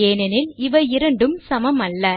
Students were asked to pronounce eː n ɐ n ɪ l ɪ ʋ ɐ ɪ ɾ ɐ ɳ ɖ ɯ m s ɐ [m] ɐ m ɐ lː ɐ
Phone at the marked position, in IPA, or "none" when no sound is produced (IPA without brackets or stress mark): m